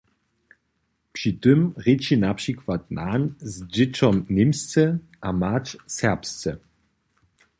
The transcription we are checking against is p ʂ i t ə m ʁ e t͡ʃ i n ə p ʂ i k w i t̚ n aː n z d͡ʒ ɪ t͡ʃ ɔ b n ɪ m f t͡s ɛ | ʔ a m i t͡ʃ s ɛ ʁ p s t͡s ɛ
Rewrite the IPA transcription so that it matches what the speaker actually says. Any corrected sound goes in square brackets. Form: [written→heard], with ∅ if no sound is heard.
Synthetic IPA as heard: p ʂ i t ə m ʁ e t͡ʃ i n [ə→a] p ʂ i k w [i→a] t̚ n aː n z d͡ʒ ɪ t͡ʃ ɔ [b→m] n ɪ m [f→s] t͡s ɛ | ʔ a m [i→a] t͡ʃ s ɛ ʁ p s t͡s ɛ